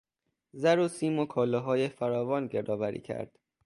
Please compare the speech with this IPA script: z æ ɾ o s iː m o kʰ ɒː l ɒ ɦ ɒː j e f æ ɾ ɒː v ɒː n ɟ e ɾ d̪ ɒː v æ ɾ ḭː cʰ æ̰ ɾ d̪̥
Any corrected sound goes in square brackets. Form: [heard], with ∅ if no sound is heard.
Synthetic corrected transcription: z æ ɾ o s iː m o kʰ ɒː l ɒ ɦ ɒː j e f æ ɾ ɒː v ɒː n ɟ e ɾ d̪ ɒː v æ ɾ ḭː cʰ æ̰ ɾ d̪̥